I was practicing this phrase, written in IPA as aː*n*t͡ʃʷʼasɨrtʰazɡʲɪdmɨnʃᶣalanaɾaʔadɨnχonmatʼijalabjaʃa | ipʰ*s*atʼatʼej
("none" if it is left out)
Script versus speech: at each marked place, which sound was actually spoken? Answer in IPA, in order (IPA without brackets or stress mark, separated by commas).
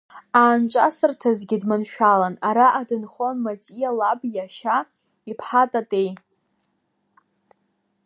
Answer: n, ħ